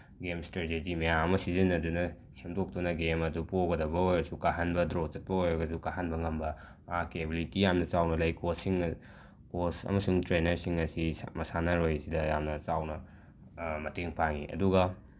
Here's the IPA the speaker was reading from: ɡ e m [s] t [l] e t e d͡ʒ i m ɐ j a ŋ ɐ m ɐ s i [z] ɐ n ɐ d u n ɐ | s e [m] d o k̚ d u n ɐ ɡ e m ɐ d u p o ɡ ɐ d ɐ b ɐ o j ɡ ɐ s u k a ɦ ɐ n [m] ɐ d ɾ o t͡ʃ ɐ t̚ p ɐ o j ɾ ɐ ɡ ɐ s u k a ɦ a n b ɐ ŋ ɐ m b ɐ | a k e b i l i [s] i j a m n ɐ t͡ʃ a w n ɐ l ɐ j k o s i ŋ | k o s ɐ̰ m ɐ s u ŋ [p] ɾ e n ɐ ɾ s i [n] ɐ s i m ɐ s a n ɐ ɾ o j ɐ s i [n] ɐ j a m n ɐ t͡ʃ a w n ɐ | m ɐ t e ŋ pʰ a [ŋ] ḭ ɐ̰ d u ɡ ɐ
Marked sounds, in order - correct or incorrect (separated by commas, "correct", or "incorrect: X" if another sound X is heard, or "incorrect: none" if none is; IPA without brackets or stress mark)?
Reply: correct, incorrect: ɾ, correct, correct, incorrect: b, incorrect: t, incorrect: t, incorrect: ŋ, incorrect: d, correct